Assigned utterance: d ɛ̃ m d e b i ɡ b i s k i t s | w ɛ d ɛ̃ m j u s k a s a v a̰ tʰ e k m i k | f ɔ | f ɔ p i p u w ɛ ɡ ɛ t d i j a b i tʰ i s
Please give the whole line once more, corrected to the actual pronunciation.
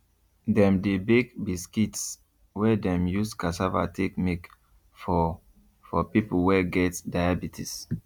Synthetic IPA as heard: d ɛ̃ m d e b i ɡ b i s k i t s | w ɛ d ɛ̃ m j u s k a s a v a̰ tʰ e k m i k | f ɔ | f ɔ p i p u w ɛ ɡ ɛ t d a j a b i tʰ i s

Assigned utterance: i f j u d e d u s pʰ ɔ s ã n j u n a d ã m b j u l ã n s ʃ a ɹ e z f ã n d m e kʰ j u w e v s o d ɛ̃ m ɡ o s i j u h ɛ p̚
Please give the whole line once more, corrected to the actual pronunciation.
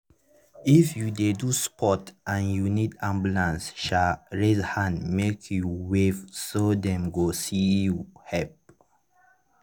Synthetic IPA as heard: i f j u d e d u s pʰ ɔ t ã n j u n i d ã m b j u l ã n s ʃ a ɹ e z h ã n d m e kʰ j u w e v s o d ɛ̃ m ɡ o s i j u h ɛ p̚

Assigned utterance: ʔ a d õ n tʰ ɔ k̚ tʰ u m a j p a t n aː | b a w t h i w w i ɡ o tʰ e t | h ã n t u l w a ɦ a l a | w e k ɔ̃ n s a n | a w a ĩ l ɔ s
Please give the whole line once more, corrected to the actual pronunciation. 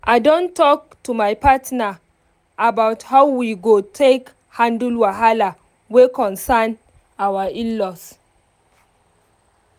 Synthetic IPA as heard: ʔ a d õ n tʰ ɔ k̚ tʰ u m a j p a t n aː | b a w t h a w w i ɡ o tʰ e k | h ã n d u l w a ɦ a l a | w e k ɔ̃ n s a n | a w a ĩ l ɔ s

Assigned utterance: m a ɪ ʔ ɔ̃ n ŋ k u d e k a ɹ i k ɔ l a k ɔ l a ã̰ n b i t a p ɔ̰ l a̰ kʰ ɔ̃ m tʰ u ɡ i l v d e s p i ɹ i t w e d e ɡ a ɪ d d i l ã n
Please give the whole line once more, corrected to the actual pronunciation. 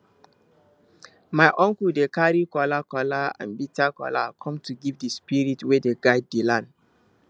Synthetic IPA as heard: m a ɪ ʔ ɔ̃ ŋ k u d e k a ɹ i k ɔ l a k ɔ l a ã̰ n b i t a k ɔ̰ l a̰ kʰ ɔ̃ m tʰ u ɡ i v d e s p i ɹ i t w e d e ɡ a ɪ d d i l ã n

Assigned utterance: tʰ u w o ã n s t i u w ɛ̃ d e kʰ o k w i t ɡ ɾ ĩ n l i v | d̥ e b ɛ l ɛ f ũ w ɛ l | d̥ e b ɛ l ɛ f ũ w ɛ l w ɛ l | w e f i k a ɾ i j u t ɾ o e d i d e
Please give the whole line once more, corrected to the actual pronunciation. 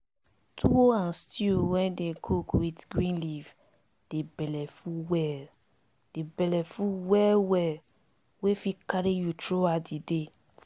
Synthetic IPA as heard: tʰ u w o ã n s t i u w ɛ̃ d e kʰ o k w i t ɡ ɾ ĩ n l i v | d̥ e b ɛ l ɛ f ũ w ɛ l | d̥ e b ɛ l ɛ f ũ w ɛ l w ɛ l | w e f i k a ɾ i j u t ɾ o a d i d e

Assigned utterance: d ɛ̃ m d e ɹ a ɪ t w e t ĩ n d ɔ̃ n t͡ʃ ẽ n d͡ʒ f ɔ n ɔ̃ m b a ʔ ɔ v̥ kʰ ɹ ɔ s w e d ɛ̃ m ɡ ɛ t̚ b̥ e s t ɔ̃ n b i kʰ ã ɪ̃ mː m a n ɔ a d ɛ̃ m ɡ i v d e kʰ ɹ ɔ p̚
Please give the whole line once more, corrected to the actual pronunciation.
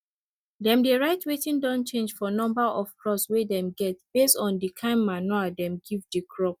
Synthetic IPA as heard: d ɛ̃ m d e ɹ a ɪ t w e t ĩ n d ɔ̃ n t͡ʃ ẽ n d͡ʒ f ɔ n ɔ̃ m b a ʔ ɔ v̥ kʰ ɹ ɔ s w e d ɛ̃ m ɡ ɛ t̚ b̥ e s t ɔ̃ n d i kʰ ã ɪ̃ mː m a n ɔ a d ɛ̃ m ɡ i v d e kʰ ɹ ɔ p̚

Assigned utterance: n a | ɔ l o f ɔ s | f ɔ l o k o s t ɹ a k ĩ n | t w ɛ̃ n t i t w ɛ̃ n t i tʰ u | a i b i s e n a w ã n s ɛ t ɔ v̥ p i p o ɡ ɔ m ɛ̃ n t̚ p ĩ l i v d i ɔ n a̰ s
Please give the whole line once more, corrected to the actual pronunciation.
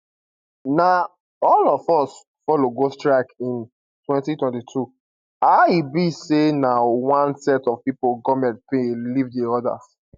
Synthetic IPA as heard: n a | ɔ l ɔ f ɔ s | f ɔ l o ɡ o s t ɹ a k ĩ n | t w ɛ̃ n t i t w ɛ̃ n t i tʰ u | a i b i s e n a w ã n s ɛ t ɔ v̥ p i p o ɡ ɔ m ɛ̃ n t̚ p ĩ l i v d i ɔ d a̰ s

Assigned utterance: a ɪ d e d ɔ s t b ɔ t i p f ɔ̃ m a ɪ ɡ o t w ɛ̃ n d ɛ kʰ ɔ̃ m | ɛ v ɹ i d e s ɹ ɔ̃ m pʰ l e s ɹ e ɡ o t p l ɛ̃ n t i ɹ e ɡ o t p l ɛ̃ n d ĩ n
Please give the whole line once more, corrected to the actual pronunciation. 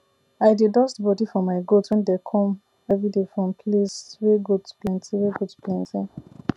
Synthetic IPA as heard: a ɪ d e d ɔ s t b ɔ d i f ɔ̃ m a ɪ ɡ o t w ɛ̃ n d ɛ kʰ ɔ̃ m | ɛ v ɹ i d e f ɹ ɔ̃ m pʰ l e s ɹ e ɡ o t p l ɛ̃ n t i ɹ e ɡ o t p l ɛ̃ n t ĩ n

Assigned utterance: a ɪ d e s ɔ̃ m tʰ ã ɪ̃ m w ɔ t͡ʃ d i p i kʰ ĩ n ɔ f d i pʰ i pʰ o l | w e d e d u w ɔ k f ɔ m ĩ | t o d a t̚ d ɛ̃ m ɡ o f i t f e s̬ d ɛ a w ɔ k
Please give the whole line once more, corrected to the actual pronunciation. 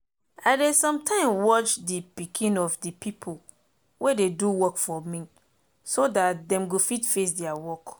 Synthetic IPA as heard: a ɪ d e s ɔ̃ m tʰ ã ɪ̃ m w ɔ t͡ʃ d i p i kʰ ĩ n ɔ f d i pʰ i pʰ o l | w e d e d u w ɔ k f ɔ m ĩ | s o d a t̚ d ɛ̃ m ɡ o f i t f e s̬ d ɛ a w ɔ k

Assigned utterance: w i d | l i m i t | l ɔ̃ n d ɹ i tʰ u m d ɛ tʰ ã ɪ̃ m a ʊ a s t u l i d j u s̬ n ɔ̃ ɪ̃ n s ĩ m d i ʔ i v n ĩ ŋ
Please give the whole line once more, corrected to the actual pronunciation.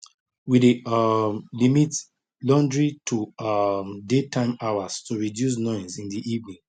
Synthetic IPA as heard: w i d | l i m i t | l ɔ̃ n d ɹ i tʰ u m d e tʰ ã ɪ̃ m a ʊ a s t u ɹ i d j u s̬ n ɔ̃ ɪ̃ n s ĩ n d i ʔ i v n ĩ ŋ

